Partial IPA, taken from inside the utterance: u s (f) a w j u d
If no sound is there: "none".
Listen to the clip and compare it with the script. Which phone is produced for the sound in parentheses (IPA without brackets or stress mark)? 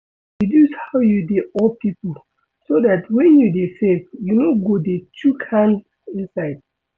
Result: h